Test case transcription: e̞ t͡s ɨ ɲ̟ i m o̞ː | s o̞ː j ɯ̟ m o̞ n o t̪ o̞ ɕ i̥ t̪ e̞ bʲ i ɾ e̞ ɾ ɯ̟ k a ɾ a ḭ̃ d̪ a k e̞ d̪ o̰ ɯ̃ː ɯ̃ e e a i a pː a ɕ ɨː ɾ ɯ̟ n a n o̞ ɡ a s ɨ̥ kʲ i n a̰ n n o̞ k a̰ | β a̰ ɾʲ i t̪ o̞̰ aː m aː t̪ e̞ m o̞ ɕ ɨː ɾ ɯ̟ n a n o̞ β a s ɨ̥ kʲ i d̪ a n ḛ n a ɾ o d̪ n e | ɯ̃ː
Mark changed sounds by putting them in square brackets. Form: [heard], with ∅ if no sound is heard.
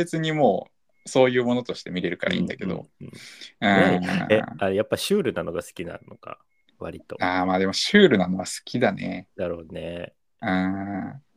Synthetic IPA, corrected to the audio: e̞ t͡s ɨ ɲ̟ i m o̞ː | s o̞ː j [ɯ̟ː] m o̞ n o t̪ o̞ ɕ i̥ t̪ e̞ [mʲ] i ɾ e̞ ɾ ɯ̟ k a ɾ a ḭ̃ d̪ a k e̞ d̪ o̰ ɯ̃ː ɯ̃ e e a [j] a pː a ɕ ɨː ɾ ɯ̟ n a n o̞ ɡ a s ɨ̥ kʲ i n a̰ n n o̞ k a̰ | β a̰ ɾʲ i t̪ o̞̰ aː m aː [d̪] e̞ m o̞ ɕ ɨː ɾ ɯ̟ n a n o̞ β a s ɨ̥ kʲ i d̪ a n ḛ n a ɾ o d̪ n e | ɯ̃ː